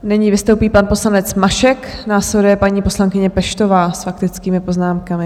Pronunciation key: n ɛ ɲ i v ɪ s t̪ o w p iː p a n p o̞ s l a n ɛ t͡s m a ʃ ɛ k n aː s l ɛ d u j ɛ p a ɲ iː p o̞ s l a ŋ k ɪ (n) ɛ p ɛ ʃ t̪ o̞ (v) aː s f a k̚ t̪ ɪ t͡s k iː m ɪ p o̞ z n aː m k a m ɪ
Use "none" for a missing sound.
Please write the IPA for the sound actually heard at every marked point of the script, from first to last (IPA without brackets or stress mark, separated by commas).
ɲ, v